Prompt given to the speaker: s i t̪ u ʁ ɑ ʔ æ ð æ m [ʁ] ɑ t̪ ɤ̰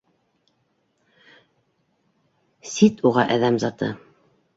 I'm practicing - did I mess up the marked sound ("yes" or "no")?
yes